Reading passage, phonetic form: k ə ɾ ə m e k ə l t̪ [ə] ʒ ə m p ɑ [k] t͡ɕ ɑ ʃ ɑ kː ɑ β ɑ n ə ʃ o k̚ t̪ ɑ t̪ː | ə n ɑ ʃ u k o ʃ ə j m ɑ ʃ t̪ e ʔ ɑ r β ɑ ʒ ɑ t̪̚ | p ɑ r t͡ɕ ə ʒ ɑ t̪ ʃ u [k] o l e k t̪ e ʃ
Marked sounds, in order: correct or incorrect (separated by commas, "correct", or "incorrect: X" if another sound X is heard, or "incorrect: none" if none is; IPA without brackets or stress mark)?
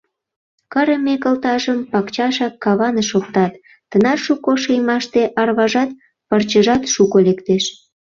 incorrect: ɑ, correct, correct